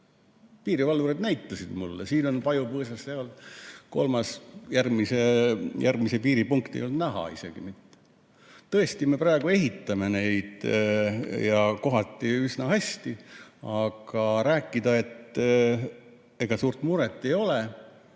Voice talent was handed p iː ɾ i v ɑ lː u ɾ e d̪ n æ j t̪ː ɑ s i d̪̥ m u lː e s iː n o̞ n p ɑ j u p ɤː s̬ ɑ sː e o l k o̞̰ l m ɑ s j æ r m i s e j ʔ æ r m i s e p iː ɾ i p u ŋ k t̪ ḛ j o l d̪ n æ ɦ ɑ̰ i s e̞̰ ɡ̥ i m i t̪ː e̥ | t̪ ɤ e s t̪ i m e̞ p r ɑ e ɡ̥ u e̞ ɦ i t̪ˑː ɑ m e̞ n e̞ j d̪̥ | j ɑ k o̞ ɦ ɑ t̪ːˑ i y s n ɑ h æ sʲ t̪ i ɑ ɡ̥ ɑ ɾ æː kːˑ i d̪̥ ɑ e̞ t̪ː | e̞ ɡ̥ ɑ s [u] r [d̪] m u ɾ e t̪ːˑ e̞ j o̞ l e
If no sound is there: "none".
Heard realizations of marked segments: uː, t̪

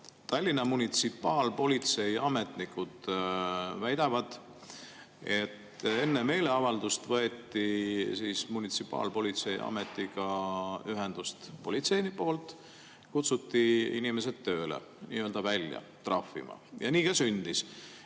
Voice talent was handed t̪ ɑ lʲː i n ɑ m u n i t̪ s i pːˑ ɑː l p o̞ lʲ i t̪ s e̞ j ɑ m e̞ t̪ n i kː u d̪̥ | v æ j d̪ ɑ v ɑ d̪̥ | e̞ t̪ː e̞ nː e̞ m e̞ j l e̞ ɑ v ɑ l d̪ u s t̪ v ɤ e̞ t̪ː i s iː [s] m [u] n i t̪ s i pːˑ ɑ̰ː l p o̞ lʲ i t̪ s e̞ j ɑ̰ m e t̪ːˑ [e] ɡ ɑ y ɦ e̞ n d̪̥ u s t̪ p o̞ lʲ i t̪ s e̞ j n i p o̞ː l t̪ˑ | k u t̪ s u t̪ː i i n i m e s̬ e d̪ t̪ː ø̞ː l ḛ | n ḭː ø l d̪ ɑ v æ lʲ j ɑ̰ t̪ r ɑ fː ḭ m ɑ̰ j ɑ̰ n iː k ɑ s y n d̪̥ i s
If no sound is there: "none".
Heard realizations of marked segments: s, u, i

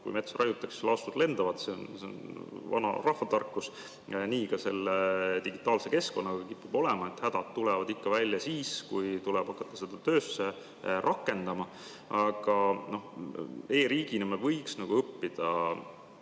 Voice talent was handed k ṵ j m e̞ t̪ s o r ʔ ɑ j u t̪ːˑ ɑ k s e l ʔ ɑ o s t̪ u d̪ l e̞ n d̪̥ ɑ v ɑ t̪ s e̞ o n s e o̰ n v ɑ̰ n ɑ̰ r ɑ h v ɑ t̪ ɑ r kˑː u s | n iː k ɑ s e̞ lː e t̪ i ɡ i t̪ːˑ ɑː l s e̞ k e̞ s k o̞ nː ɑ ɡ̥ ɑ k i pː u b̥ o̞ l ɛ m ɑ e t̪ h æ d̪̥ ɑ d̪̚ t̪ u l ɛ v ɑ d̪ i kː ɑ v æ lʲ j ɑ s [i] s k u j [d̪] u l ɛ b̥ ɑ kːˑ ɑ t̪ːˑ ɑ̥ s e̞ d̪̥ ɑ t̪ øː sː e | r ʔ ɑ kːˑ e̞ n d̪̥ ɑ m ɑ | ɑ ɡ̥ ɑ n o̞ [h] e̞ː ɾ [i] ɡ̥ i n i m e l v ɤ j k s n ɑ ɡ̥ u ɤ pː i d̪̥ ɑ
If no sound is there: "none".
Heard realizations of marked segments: iː, t̪, h, iː

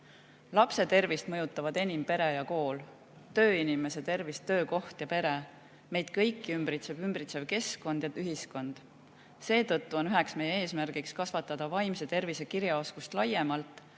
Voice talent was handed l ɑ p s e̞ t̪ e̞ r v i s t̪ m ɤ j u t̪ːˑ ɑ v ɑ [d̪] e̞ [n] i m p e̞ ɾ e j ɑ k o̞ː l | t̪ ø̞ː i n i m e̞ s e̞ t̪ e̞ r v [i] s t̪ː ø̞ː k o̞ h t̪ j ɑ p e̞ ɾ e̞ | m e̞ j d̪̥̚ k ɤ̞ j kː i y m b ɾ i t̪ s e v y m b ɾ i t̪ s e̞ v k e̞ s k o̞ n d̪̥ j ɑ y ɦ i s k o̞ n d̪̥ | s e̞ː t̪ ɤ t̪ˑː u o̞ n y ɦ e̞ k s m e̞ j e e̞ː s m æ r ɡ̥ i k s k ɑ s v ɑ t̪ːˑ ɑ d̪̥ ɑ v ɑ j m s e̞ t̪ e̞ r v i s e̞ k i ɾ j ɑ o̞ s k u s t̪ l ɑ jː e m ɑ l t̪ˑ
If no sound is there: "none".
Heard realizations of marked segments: d̪, n, i

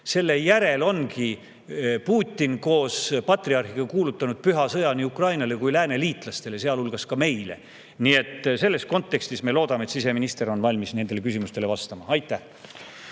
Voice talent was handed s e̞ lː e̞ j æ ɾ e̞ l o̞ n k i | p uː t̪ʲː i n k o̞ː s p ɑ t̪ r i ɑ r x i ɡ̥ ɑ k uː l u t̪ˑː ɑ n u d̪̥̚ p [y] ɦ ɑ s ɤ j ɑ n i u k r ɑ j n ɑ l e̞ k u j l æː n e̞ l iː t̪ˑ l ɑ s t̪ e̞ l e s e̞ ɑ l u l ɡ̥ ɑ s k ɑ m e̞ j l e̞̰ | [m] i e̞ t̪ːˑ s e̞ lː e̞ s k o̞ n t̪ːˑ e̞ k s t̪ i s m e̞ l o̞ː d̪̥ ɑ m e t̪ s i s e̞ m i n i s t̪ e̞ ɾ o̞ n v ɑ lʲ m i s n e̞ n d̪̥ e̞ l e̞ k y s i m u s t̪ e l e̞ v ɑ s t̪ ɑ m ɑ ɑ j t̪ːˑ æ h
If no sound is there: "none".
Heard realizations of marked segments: y, n

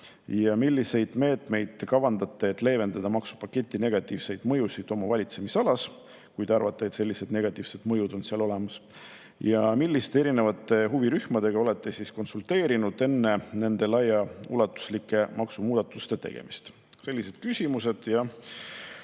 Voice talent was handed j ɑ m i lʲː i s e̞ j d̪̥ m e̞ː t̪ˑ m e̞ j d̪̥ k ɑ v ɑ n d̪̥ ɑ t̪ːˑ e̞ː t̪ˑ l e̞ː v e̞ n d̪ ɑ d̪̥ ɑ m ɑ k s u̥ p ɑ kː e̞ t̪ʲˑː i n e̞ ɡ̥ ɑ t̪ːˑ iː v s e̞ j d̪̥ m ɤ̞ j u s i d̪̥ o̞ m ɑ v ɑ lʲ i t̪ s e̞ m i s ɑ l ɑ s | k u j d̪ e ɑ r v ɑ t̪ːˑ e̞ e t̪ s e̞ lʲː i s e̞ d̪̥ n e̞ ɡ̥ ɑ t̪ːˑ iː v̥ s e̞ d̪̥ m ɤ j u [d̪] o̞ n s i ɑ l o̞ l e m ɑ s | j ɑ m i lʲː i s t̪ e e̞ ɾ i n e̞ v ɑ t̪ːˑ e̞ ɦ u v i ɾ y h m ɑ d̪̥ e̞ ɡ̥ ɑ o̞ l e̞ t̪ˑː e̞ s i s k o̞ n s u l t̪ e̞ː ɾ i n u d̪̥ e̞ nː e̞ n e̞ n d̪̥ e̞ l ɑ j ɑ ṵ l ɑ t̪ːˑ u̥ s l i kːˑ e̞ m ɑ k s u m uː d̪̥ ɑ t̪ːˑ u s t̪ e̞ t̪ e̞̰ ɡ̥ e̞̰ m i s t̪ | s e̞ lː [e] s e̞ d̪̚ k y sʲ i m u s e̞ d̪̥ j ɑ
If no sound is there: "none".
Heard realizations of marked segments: d̪, i

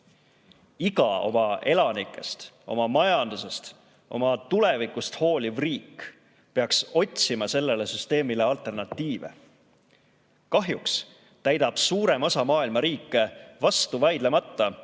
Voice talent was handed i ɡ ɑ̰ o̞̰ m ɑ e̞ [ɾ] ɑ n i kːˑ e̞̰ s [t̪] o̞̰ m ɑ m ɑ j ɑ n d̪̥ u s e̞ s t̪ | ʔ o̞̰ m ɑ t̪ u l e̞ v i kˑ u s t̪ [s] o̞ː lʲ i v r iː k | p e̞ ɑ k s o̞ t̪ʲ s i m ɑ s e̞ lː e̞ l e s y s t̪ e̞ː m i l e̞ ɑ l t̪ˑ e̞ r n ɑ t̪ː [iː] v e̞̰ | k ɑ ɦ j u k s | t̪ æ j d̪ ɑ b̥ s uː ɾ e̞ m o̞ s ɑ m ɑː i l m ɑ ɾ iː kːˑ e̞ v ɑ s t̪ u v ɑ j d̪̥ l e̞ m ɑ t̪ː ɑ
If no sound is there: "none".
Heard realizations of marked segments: l, t̪, h, iː

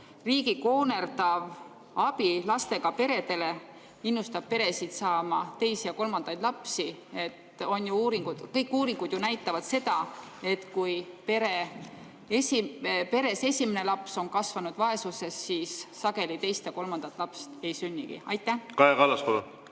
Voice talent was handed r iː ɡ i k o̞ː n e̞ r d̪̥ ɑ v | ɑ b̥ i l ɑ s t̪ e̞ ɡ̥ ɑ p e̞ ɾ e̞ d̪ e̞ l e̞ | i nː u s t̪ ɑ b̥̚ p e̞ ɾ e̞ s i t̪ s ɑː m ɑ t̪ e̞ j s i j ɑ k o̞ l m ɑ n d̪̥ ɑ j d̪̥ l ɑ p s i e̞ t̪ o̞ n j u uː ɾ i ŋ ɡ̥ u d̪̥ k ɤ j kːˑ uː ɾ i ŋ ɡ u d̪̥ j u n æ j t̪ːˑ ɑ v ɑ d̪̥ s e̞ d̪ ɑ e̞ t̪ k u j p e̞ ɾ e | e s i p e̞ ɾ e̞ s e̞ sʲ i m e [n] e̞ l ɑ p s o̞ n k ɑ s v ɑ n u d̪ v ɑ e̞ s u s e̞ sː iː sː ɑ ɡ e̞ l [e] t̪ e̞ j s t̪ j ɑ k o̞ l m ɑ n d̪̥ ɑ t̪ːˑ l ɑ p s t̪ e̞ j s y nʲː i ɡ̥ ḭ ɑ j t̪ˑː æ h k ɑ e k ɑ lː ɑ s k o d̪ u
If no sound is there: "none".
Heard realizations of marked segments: n, i

